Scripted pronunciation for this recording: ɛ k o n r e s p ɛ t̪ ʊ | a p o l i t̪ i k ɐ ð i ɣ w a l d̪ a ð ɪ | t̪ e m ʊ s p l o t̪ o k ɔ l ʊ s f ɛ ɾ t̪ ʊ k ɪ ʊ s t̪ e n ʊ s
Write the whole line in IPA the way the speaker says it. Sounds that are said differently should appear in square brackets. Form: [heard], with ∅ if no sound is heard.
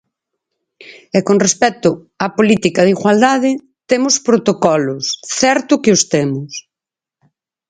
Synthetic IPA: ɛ k o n r e s p ɛ t̪ ʊ | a p o l i t̪ i k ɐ ð i ɣ w a l d̪ a ð ɪ | t̪ e m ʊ s p [ɾ] o t̪ o k ɔ l ʊ s [θ] ɛ ɾ t̪ ʊ k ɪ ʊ s t̪ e [m] ʊ s